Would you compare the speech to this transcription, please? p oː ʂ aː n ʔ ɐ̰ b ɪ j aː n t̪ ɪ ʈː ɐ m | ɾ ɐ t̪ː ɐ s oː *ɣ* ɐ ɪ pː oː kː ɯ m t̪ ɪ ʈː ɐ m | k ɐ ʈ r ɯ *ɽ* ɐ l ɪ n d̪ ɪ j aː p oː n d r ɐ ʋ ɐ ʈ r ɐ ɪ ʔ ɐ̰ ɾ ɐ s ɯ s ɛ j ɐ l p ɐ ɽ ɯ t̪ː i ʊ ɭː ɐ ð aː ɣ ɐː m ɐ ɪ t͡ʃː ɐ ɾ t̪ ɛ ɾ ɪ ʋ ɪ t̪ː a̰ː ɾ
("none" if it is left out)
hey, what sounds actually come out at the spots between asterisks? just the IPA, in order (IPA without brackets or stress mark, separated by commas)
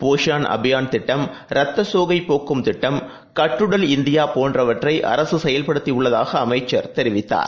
ɣ, ɽ